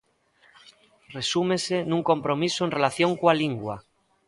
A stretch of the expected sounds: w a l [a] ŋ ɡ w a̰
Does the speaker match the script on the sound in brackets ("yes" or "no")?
no